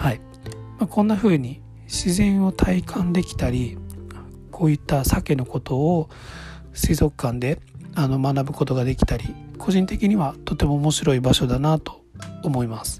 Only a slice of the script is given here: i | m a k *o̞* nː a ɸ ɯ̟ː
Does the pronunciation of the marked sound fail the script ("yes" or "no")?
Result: yes